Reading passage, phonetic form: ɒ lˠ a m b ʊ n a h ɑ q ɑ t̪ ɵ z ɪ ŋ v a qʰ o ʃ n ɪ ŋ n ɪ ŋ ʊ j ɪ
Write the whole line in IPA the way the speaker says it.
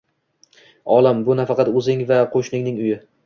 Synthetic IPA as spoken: ɒ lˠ a m b ʊ n a f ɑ q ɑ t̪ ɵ z ɪ ŋ v a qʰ o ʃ n ɪ ŋ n ɪ ŋ ʊ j ɪ